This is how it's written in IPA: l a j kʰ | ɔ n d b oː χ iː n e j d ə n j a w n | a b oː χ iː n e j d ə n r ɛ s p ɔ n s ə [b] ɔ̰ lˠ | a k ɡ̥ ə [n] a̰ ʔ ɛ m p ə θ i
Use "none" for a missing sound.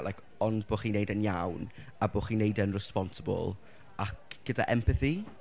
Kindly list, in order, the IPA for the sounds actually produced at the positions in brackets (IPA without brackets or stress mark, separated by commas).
b, d